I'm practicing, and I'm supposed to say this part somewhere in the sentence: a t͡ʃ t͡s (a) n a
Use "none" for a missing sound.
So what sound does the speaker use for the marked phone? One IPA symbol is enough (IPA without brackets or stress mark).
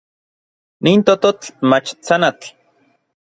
a